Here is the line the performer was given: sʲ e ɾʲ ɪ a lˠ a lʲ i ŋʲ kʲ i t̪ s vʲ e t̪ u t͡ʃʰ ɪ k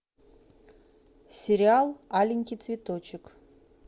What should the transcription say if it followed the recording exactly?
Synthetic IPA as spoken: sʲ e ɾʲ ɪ a lˠ a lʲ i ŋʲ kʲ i t̪ s vʲ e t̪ o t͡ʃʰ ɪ k